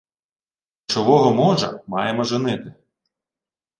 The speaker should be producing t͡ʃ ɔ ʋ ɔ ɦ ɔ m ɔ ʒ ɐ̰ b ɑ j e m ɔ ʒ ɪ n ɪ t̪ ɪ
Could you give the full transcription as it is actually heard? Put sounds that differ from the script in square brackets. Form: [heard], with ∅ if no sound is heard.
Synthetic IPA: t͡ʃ ɔ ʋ ɔ ɦ ɔ m ɔ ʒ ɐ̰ [m] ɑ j e m ɔ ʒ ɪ n ɪ t̪ ɪ